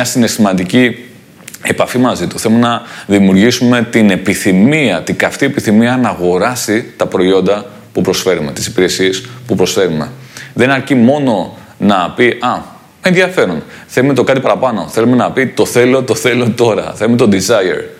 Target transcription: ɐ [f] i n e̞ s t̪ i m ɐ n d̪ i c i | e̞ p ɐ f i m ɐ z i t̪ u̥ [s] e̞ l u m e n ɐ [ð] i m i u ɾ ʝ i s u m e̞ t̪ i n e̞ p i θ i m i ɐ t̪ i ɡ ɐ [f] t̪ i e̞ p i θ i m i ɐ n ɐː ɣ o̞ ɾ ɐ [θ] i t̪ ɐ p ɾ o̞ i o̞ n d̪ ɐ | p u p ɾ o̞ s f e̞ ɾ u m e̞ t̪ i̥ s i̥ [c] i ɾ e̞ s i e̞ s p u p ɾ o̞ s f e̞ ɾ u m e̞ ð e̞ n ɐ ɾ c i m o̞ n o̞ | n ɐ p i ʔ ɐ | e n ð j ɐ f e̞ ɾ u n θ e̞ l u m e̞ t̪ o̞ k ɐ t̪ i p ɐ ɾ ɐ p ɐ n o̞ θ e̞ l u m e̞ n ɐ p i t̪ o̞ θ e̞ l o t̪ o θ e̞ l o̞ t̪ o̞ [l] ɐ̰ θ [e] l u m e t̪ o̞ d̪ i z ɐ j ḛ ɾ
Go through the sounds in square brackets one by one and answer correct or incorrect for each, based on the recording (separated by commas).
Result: incorrect, incorrect, correct, correct, incorrect, incorrect, incorrect, correct